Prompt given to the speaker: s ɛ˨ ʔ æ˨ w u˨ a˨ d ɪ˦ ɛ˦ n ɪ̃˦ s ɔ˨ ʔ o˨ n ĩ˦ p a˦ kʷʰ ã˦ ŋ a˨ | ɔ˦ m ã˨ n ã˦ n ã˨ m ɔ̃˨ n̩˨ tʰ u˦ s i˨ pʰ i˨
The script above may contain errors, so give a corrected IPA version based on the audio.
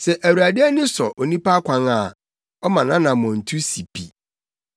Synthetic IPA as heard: s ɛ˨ ʔ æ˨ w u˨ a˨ d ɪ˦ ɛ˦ n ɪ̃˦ s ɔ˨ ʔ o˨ n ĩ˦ p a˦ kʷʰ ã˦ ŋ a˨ | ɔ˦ m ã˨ n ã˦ n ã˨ m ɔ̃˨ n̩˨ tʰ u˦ s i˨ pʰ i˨